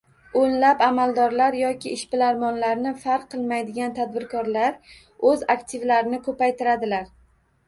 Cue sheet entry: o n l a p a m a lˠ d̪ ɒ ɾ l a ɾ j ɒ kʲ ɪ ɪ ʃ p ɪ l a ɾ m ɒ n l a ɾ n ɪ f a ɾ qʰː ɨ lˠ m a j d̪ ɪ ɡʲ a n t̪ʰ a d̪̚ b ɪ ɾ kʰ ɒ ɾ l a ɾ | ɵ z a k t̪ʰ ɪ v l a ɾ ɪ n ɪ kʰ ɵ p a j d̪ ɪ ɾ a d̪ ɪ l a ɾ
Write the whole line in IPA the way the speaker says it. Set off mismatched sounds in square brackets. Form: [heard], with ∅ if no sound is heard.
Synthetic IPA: o n l a p a m a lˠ d̪ ɒ ɾ l a ɾ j ɒ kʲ ɪ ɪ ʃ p ɪ l a ɾ m ɒ n l a ɾ n ɪ f a ɾ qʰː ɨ lˠ m a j d̪ ɪ ɡʲ a n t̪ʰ a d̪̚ b ɪ ɾ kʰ ɒ ɾ l a ɾ | ɵ z a k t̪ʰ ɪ v l a ɾ ɪ n ɪ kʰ ɵ p a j [t̪] ɪ ɾ a d̪ ɪ l a ɾ